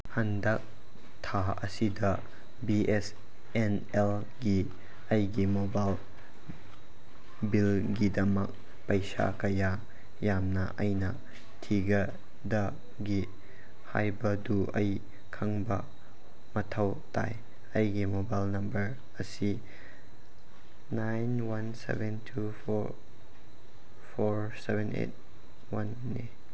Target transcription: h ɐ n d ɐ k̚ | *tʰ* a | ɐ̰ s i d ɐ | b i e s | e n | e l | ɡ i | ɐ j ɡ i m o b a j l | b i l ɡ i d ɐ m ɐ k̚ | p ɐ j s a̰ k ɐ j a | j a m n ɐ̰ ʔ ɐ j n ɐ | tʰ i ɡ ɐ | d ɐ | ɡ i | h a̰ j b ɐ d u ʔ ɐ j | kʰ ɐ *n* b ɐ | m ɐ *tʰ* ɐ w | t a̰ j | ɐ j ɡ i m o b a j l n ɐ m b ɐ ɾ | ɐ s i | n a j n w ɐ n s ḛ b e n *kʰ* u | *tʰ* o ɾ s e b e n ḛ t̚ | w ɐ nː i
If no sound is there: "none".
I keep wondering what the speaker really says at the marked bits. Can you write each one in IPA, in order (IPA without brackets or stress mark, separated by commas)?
tʰ, ŋ, tʰ, tʰ, pʰ